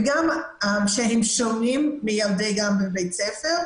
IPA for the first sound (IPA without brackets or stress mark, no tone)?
ɡ